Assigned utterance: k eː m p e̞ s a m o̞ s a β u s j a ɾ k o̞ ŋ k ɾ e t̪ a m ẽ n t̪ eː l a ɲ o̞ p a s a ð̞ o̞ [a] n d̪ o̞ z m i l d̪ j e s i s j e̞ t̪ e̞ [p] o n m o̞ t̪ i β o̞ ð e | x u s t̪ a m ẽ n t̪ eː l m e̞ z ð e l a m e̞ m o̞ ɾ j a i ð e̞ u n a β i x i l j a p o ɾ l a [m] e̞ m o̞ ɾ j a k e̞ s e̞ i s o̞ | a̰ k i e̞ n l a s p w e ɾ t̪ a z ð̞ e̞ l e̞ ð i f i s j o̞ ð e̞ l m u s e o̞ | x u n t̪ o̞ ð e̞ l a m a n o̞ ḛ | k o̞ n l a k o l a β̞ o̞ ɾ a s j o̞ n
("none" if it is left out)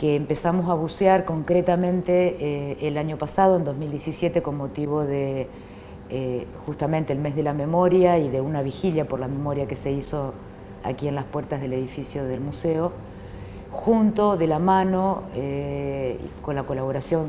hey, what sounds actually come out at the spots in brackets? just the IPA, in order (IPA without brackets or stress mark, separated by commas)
e, k, m